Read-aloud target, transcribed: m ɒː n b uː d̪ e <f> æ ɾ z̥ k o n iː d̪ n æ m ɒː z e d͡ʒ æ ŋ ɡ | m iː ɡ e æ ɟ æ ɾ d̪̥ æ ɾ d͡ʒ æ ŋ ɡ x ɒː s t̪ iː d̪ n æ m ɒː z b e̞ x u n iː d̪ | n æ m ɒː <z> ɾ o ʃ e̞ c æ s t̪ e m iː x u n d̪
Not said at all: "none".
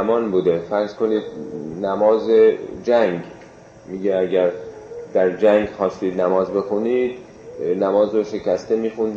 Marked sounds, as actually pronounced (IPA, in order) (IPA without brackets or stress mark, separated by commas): f, z